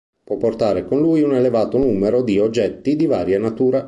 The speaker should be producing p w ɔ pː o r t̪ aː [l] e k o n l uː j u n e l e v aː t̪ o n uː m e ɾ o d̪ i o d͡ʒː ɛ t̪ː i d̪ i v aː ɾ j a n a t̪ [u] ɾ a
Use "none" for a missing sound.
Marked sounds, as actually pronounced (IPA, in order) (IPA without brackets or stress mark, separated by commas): ɾ, uː